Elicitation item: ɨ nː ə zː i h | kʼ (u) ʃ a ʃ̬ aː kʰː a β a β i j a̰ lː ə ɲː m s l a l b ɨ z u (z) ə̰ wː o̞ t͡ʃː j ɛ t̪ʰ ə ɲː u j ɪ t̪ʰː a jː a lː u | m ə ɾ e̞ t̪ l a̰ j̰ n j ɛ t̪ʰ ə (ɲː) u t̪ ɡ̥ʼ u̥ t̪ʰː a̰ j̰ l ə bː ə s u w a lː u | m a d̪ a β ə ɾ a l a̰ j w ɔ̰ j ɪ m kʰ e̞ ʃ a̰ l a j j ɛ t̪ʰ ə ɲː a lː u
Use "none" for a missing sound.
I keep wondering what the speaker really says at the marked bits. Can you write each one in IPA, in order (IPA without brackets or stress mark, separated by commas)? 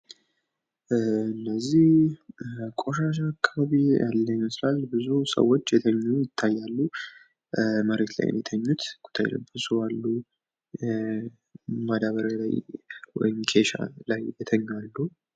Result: o, s, ɲː